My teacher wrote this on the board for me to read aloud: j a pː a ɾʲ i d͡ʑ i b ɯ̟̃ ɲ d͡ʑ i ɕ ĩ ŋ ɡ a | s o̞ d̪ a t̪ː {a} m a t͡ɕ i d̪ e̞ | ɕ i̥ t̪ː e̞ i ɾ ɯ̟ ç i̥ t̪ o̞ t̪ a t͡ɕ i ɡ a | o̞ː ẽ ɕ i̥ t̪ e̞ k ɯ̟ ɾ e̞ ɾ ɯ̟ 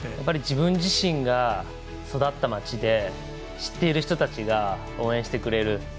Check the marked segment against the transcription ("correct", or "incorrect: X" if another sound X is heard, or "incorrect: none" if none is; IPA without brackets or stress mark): correct